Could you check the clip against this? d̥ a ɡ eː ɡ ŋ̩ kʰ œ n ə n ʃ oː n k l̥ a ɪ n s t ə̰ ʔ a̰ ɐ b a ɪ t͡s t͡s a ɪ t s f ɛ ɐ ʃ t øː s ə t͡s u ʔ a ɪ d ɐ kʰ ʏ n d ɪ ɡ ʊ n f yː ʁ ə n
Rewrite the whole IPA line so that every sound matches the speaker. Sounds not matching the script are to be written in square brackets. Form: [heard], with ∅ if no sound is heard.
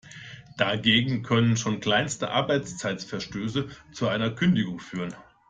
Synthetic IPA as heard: d̥ a ɡ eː ɡ ŋ̩ kʰ œ n ə n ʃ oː n k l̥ a ɪ n s t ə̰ ʔ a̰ ɐ b a ɪ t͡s t͡s a ɪ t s f ɛ ɐ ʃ t øː s ə t͡s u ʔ a ɪ [n] ɐ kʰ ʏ n d ɪ ɡ ʊ [ŋ] f yː ʁ ə n